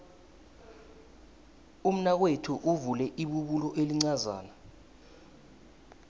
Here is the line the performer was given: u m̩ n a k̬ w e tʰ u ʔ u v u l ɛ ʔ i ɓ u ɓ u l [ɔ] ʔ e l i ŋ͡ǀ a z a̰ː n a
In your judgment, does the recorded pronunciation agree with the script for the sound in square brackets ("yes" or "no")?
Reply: yes